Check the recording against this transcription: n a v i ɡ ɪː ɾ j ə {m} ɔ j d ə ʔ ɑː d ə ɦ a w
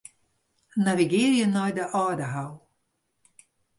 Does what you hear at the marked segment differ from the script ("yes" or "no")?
yes